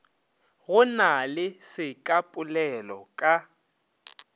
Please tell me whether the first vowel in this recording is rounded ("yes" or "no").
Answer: yes